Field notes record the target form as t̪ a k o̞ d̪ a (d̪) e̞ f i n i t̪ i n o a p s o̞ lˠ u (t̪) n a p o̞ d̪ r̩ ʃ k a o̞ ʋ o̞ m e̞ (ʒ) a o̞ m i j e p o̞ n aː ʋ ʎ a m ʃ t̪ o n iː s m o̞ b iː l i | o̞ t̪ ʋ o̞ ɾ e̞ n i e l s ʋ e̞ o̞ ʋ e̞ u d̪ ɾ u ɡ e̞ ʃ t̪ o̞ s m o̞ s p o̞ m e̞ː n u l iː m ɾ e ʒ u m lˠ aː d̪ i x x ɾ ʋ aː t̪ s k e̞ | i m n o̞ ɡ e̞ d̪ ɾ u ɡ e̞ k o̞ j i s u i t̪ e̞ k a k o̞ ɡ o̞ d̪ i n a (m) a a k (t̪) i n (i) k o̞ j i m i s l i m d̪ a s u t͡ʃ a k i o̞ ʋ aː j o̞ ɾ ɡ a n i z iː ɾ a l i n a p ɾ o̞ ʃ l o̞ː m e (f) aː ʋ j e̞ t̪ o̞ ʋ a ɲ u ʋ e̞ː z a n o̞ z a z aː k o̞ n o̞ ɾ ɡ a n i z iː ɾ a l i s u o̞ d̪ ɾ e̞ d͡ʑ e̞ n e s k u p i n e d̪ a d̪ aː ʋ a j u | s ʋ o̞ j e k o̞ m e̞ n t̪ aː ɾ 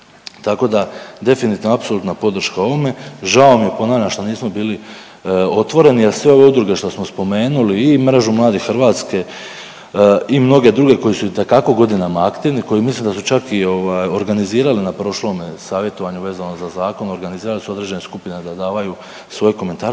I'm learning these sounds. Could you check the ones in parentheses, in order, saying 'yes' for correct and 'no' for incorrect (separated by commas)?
yes, yes, yes, yes, yes, yes, no